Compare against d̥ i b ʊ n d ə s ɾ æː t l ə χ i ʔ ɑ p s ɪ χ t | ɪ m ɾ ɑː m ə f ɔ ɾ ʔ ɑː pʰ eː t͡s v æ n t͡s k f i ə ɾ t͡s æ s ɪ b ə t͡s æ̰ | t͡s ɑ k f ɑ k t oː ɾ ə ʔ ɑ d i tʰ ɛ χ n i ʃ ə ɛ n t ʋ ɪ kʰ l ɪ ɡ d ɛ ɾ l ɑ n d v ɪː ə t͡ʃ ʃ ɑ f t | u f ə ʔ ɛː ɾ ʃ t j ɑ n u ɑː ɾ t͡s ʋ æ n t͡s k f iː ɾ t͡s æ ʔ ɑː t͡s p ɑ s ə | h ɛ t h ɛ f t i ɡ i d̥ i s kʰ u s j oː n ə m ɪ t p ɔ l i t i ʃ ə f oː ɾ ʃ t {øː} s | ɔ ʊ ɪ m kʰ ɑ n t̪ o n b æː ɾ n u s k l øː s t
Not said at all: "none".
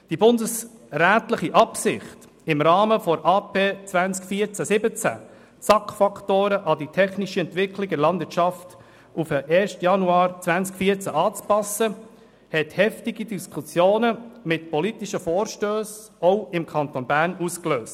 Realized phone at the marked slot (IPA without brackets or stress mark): øː